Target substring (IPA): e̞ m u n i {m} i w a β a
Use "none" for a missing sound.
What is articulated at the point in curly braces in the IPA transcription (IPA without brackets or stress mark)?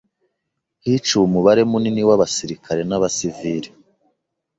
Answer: n